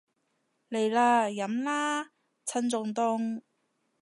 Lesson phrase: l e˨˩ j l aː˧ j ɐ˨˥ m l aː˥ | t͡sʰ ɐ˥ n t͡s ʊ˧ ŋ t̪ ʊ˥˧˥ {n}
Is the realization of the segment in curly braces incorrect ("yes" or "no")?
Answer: yes